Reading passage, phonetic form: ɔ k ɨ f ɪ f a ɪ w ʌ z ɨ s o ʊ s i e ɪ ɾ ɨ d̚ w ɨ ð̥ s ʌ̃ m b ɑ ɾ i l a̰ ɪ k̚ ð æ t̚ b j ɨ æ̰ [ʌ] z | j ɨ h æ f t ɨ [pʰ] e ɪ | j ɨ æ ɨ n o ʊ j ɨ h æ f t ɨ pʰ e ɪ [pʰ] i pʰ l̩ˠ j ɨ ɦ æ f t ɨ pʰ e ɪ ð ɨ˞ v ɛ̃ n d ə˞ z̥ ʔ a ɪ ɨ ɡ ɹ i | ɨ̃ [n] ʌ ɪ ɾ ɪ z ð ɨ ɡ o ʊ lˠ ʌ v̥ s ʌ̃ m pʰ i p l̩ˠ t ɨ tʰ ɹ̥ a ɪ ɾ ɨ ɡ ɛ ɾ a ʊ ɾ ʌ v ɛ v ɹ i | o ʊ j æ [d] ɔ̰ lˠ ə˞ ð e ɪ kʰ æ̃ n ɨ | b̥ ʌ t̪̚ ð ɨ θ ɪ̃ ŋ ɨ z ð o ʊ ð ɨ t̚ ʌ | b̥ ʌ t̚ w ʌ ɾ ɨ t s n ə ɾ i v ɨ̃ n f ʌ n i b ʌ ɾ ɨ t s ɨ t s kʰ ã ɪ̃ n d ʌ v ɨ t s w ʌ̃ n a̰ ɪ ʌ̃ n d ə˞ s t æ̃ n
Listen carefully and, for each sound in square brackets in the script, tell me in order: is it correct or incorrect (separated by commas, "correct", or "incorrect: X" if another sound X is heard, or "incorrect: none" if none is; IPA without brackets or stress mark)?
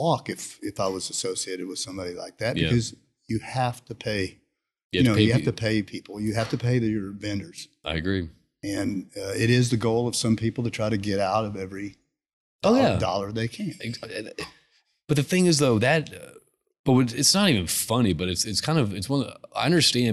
correct, correct, correct, correct, correct